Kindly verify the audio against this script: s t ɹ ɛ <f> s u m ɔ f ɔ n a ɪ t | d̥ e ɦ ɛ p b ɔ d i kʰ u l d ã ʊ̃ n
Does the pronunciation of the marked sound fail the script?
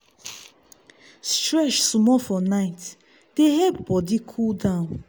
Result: yes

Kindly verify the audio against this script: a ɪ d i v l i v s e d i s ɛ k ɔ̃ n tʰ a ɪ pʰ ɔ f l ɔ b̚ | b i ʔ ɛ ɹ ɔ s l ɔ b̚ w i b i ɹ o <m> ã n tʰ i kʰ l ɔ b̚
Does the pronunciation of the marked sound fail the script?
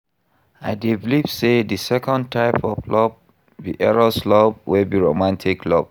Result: no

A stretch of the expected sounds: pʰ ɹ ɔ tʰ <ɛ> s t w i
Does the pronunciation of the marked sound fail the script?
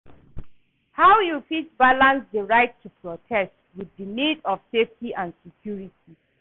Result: no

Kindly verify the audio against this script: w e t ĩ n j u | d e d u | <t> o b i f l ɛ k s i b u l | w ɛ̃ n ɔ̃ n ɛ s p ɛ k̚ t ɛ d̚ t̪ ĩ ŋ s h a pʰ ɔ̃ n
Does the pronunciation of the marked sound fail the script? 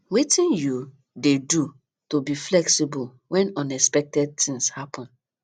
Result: no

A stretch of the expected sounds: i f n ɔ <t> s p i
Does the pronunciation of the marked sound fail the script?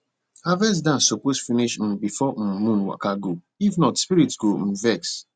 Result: no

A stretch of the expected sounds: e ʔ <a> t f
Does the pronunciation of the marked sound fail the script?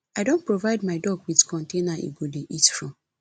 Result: yes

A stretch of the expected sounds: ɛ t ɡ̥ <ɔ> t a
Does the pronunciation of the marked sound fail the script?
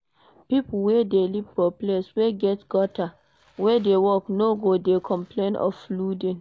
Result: no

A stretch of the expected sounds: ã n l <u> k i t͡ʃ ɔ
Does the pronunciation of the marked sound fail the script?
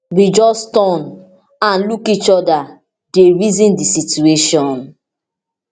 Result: no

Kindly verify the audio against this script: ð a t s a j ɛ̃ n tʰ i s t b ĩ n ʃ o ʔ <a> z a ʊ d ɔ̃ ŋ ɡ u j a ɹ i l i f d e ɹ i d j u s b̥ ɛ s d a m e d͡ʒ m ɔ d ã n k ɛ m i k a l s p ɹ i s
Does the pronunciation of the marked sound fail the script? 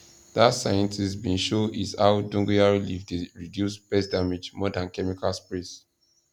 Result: yes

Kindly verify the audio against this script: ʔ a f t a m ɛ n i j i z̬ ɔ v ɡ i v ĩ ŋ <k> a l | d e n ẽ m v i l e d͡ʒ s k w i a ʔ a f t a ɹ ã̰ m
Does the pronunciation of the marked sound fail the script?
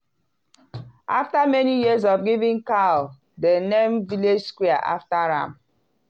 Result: no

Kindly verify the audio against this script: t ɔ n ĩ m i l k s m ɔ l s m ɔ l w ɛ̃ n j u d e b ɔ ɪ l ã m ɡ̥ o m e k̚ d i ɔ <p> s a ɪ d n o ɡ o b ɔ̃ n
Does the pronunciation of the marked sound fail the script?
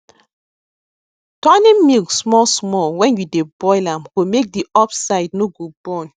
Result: no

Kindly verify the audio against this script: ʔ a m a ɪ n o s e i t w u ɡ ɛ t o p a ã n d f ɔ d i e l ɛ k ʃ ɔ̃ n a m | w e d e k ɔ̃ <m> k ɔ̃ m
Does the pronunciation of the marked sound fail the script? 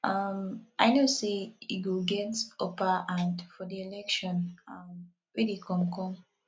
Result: no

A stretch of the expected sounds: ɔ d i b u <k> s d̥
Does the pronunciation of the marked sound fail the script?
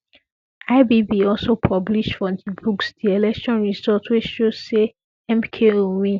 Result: no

